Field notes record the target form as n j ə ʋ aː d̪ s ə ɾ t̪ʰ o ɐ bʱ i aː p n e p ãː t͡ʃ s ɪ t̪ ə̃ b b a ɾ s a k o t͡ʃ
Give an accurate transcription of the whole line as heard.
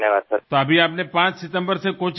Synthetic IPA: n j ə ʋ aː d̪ s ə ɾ t̪ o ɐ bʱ i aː p n e p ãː t͡ʃ s ɪ t̪ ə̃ m b ə ɾ s e k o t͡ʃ